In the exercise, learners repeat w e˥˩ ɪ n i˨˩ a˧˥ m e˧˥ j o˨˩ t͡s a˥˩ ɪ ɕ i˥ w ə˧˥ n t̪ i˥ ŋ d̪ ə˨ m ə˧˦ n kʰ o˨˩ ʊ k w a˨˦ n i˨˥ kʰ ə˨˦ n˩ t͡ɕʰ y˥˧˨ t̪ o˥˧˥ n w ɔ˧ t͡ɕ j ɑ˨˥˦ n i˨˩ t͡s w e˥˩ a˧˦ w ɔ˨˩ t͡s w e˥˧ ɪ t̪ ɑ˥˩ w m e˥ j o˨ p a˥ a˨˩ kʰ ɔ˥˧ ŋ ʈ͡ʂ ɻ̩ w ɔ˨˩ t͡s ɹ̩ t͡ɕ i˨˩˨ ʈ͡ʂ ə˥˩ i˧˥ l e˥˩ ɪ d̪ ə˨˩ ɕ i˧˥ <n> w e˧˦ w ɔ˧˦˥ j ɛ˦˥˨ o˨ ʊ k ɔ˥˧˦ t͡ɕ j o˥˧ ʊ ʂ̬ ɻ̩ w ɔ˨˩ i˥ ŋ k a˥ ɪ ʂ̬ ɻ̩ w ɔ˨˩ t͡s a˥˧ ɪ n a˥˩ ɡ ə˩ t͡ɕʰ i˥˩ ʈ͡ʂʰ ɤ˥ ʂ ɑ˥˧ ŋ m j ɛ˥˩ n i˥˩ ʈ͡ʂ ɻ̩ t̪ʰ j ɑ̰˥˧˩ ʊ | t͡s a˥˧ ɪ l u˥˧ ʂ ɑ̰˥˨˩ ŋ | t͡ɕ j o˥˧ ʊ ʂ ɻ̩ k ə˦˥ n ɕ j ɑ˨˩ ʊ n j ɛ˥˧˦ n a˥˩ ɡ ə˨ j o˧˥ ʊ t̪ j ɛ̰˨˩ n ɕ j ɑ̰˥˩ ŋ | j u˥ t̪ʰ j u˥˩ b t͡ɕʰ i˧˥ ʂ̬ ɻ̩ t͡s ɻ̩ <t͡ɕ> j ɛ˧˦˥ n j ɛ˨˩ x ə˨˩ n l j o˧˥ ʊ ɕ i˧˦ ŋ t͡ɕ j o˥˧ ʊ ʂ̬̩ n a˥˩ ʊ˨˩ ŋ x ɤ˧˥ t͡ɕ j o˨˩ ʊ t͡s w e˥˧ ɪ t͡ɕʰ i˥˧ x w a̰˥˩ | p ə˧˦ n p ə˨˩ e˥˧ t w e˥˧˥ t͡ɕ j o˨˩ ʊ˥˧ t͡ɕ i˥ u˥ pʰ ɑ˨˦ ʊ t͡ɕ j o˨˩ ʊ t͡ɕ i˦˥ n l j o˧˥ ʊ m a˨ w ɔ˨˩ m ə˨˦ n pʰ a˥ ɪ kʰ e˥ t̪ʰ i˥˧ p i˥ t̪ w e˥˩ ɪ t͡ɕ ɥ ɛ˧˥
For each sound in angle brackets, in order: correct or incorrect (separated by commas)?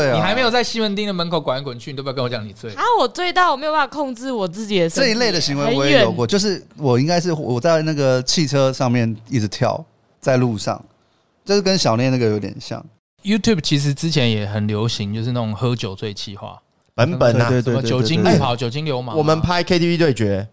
incorrect, incorrect